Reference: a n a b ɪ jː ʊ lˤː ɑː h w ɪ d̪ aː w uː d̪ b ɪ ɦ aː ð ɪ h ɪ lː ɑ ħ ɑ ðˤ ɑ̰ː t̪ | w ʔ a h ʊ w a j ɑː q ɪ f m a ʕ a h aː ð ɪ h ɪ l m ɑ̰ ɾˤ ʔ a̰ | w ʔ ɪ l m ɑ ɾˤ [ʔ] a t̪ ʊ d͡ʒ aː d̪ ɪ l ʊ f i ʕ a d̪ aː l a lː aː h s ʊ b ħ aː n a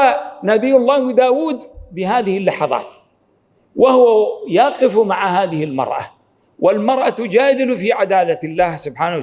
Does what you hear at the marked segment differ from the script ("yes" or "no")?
no